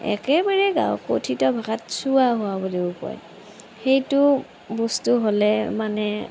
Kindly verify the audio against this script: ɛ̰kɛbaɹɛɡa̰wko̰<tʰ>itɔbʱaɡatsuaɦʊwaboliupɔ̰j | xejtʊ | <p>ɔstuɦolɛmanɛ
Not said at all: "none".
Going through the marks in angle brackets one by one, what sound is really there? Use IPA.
tʰ, b

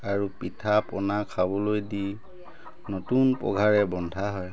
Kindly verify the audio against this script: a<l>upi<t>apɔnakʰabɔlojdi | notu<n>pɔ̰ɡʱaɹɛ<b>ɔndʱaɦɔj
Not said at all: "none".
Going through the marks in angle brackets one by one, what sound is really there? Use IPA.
ɹ, tʰ, n, b

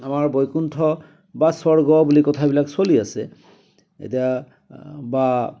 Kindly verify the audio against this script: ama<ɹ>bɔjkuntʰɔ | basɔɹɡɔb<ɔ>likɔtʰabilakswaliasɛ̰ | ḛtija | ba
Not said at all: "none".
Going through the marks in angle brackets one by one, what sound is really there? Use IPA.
ɹ, u

